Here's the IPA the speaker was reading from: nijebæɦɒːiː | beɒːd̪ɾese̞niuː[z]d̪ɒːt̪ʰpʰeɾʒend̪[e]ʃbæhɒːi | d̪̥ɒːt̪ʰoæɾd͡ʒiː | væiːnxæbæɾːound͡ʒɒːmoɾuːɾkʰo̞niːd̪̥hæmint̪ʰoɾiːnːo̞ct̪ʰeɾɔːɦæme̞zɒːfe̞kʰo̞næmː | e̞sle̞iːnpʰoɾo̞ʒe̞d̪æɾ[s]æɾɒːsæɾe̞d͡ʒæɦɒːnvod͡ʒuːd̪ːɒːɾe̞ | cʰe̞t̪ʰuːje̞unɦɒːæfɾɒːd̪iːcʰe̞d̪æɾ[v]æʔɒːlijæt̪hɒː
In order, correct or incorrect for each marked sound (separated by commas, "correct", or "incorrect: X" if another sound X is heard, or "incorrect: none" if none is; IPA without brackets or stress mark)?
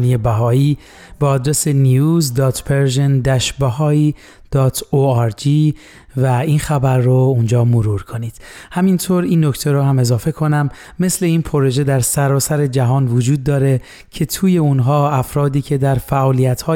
correct, incorrect: æ, correct, incorrect: f